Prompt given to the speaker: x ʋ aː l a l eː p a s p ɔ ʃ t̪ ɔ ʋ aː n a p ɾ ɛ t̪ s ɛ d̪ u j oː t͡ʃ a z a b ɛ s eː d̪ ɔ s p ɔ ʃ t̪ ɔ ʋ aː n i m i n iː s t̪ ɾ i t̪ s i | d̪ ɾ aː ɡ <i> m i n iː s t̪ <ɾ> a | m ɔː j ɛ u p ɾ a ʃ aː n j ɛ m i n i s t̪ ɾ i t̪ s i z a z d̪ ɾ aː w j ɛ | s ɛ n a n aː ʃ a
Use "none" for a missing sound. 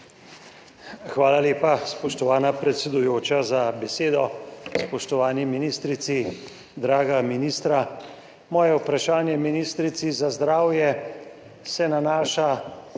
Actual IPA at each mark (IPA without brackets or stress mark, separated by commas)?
a, ɾ